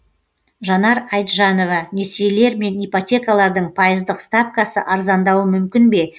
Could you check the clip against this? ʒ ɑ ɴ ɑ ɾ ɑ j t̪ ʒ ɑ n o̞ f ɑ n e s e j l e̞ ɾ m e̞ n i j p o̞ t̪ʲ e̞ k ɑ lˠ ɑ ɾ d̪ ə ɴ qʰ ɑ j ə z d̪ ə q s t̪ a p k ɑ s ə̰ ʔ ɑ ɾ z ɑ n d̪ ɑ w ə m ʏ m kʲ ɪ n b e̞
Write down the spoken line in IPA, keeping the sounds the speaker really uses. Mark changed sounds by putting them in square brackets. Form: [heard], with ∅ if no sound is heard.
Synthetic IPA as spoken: ʒ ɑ [n] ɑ ɾ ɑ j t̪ ʒ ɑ n o̞ [v] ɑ n e s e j l e̞ ɾ m e̞ n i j p o̞ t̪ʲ e̞ k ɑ lˠ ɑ ɾ d̪ ə ɴ [pʰ] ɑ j ə z d̪ ə q s t̪ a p k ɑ s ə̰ ʔ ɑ ɾ z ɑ n d̪ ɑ w ə m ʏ m kʲ ɪ n b e̞